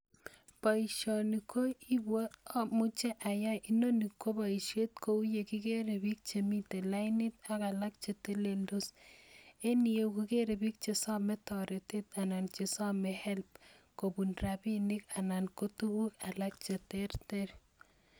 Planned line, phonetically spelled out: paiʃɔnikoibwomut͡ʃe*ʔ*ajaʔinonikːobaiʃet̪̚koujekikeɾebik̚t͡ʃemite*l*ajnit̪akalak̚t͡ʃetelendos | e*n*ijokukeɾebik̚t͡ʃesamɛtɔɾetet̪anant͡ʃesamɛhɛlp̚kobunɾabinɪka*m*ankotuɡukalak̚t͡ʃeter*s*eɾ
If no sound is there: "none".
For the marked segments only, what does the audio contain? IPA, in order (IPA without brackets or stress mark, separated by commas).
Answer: ʔ, l, n, n, t